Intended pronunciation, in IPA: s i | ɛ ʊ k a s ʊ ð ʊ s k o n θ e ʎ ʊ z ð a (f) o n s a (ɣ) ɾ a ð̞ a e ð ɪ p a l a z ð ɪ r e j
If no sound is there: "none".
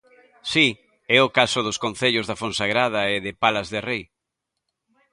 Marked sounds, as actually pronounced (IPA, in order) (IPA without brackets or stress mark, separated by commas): f, ɣ